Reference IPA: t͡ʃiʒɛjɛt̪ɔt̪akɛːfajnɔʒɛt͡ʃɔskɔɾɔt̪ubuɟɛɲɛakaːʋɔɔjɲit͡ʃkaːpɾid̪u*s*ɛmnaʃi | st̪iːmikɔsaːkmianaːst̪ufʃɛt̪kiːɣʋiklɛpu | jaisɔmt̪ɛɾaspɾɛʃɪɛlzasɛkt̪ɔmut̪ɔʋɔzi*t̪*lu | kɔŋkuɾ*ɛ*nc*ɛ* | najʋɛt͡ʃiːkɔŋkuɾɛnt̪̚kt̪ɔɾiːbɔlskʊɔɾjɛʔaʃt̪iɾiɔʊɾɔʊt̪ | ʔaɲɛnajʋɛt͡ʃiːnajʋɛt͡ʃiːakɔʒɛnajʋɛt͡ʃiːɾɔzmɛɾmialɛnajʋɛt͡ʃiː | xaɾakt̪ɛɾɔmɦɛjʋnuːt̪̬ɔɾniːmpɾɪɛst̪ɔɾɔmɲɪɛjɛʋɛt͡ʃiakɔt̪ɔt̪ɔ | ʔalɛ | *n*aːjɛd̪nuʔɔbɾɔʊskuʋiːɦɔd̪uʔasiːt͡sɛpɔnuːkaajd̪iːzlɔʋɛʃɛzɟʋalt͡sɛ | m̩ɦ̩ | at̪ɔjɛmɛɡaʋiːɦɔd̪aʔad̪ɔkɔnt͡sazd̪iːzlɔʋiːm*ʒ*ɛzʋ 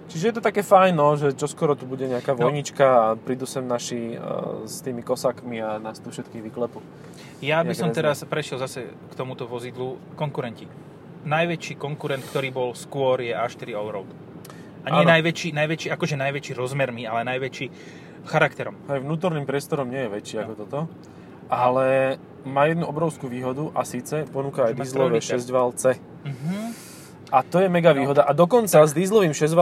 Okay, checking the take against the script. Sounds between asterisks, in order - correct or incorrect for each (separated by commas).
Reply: correct, incorrect, correct, incorrect, incorrect, incorrect